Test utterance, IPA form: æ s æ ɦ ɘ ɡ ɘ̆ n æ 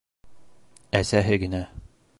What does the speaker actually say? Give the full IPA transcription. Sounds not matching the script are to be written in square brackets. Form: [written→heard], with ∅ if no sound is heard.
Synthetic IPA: æ s æ ɦ ɘ ɡ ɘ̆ n æ